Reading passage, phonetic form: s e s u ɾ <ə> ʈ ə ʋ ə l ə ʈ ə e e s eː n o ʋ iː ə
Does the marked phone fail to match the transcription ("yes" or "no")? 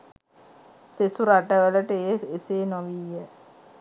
yes